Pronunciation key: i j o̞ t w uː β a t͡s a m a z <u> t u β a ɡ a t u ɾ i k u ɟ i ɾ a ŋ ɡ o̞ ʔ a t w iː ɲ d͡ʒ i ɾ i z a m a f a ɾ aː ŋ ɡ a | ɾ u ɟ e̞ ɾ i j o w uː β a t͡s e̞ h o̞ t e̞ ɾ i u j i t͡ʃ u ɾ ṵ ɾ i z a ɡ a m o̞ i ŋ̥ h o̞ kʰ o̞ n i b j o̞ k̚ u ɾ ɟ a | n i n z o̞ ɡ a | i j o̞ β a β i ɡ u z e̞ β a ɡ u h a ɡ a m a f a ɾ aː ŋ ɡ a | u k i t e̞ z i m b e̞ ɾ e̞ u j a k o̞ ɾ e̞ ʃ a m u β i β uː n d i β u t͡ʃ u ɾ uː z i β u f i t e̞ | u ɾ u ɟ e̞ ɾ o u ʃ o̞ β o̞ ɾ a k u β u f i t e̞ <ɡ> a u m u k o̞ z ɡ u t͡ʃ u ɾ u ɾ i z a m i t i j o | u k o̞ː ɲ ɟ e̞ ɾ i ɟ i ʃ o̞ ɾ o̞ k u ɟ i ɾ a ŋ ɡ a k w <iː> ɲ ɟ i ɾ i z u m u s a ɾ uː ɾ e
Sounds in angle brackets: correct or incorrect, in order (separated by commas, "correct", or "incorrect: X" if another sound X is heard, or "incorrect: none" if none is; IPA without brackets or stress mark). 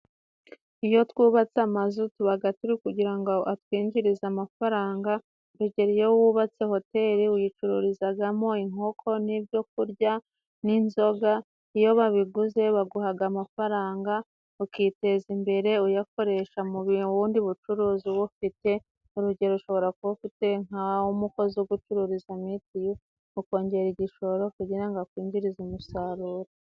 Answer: correct, incorrect: ŋ, correct